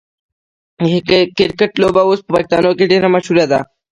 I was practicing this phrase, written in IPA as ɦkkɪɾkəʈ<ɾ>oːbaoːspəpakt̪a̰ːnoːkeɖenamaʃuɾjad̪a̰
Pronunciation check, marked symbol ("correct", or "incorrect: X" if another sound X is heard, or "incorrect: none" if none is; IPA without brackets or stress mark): incorrect: l